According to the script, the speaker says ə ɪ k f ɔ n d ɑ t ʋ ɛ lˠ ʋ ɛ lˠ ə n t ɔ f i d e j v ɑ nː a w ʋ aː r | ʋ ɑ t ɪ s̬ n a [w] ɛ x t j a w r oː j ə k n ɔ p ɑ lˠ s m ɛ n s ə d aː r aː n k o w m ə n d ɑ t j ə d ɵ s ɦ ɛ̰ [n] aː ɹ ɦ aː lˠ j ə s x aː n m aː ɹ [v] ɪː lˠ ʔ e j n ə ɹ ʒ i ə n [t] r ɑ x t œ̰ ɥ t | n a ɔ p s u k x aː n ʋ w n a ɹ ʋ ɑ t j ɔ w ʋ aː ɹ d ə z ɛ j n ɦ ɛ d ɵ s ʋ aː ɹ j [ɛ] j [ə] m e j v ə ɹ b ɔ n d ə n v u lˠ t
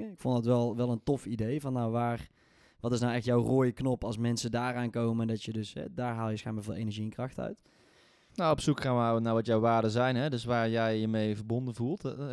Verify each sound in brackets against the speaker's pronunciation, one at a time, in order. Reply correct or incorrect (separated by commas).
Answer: correct, incorrect, correct, incorrect, correct, correct